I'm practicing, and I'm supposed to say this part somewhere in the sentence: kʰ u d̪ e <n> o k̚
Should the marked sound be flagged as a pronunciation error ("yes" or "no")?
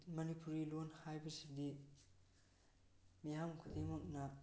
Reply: yes